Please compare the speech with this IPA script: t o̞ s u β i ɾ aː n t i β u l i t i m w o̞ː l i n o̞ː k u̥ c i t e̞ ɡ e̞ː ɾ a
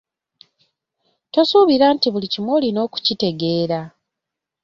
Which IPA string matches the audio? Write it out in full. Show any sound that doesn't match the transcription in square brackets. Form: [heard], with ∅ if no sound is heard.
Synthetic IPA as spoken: t o̞ s u β i ɾ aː n t i β u l i [c] i m w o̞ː l i n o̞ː k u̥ c i t e̞ ɡ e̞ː ɾ a